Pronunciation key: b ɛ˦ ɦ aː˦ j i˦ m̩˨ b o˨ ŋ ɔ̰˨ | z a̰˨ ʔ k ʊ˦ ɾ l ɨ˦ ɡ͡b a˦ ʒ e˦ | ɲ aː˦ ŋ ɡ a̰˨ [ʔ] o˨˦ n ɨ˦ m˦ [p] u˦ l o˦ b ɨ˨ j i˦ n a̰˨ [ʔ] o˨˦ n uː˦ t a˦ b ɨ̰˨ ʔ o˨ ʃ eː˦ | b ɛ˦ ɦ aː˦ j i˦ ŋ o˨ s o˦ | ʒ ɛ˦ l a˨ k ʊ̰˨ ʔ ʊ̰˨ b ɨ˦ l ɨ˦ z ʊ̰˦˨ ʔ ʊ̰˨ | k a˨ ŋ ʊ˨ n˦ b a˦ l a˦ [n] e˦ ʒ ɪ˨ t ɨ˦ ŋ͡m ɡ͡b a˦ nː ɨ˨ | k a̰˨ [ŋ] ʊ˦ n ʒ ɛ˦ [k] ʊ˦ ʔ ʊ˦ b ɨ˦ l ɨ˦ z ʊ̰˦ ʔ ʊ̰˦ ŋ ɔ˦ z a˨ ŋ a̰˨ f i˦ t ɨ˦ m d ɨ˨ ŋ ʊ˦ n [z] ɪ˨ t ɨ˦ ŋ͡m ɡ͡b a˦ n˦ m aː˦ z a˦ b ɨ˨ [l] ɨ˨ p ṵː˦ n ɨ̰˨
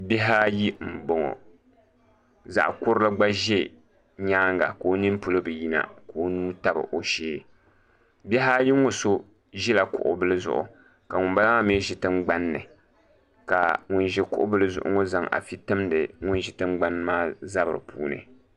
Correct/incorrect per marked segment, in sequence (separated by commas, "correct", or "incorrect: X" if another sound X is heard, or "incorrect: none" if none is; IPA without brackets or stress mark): incorrect: k, correct, incorrect: k, incorrect: m, correct, correct, incorrect: ʒ, incorrect: ɾ